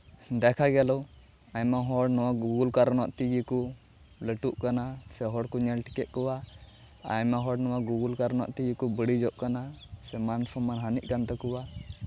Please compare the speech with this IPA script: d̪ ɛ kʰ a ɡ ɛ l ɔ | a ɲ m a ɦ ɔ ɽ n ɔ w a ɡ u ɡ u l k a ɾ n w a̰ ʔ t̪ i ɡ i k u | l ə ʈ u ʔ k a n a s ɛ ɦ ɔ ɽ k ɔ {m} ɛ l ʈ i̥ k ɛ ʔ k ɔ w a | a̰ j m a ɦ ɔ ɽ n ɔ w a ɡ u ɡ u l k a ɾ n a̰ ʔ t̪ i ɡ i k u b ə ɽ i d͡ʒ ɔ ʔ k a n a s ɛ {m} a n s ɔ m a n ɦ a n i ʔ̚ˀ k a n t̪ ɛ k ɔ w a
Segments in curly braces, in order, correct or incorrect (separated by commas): incorrect, correct